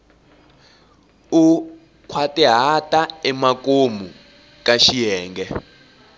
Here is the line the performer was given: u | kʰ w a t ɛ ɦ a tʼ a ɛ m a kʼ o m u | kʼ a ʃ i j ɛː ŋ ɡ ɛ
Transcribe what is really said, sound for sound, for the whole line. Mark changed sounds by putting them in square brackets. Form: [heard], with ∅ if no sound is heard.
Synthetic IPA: u | kʰ w a t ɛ ɦ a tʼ a ɛ m a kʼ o m u | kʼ a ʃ i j ɛː ŋ ɡ ɛ